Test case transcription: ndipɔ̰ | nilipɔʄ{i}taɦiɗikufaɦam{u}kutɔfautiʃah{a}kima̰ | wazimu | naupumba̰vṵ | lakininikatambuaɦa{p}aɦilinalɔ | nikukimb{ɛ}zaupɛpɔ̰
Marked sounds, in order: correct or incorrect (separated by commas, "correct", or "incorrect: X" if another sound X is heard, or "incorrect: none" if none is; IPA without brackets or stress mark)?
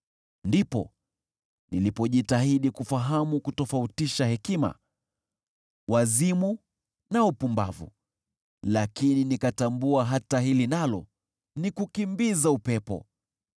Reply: correct, correct, incorrect: ɛ, incorrect: t, incorrect: i